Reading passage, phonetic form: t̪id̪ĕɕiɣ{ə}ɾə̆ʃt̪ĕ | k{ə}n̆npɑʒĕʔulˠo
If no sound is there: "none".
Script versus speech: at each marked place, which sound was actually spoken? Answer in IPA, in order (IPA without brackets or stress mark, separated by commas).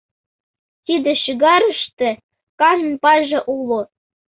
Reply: ɑ, ɑ